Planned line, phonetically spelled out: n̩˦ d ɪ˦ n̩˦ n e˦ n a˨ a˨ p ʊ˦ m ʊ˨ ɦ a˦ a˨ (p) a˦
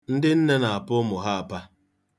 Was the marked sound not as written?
no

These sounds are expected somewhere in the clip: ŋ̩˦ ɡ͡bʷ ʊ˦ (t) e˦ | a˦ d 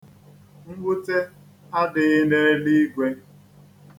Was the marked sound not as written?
no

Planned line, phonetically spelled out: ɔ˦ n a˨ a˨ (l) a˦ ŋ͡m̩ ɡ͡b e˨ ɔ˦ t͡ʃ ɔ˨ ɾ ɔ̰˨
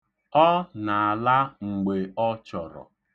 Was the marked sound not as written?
no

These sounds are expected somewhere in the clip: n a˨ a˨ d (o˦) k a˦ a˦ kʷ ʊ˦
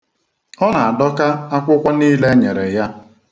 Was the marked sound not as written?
yes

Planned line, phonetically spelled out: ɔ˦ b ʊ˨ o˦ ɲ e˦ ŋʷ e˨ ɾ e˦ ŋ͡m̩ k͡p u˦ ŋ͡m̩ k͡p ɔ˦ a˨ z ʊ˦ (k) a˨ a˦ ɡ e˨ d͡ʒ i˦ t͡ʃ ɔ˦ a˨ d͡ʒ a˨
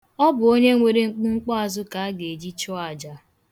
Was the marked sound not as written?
no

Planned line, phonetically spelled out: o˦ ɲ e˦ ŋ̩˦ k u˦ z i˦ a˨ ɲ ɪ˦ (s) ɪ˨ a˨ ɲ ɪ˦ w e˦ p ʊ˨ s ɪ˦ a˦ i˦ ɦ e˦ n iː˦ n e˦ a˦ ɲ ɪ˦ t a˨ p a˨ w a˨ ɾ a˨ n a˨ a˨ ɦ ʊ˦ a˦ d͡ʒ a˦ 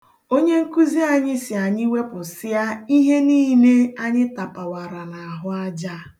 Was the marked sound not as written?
no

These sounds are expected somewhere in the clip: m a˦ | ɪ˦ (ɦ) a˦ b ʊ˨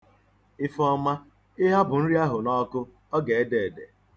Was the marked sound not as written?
no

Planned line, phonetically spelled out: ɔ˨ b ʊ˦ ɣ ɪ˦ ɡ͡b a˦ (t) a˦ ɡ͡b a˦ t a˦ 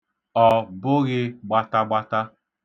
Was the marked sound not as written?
no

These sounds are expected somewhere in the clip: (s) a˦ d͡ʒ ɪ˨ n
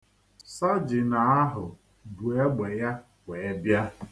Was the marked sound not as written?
no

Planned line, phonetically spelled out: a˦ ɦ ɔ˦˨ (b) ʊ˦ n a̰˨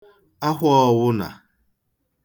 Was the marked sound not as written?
yes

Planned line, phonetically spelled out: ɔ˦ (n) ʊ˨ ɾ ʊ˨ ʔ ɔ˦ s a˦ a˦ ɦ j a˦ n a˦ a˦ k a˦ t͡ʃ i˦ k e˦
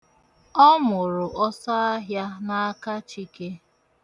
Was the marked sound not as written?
yes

